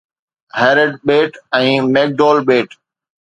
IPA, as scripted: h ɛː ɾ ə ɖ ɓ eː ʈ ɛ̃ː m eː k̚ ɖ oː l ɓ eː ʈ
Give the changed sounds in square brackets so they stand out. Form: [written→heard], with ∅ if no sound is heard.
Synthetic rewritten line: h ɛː ɾ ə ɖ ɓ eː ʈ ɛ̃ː m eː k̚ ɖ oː l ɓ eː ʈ